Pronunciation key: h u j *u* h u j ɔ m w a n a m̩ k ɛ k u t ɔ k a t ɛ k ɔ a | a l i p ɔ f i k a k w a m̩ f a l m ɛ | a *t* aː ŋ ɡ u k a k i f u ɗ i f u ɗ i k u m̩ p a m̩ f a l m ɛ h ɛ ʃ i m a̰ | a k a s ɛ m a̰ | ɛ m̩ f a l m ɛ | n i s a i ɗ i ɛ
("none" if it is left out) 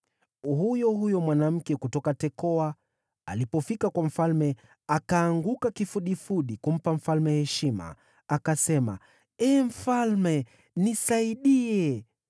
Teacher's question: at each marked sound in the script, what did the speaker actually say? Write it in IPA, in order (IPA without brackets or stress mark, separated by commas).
ɔ, k